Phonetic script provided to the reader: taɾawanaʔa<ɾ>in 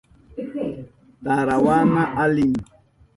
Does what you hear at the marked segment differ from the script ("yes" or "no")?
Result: yes